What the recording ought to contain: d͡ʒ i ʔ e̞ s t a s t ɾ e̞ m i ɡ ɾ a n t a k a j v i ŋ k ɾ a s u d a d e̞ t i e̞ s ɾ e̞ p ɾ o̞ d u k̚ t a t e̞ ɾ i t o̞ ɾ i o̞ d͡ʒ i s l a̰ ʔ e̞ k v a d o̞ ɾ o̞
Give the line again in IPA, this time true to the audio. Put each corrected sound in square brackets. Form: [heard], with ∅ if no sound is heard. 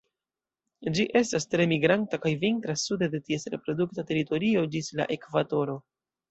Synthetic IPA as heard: d͡ʒ i ʔ e̞ s t a s t ɾ e̞ m i ɡ ɾ a n t a k a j v i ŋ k ɾ a s u d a d e̞ t i e̞ s ɾ e̞ p ɾ o̞ d u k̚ t a t e̞ ɾ i t o̞ ɾ i o̞ d͡ʒ i s l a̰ ʔ e̞ k v a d o̞ ɾ o̞